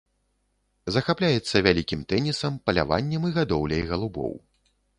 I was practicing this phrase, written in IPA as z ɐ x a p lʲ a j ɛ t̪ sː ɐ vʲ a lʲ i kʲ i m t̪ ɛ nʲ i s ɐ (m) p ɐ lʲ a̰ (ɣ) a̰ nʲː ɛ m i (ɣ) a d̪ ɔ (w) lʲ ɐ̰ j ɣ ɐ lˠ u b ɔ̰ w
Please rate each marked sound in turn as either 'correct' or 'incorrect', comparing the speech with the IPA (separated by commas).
correct, incorrect, correct, correct